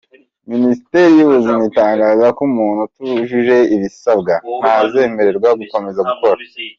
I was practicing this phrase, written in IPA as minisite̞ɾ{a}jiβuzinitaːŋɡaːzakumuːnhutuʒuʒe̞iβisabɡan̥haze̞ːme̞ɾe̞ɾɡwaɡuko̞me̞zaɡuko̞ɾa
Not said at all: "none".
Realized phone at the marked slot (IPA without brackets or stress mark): i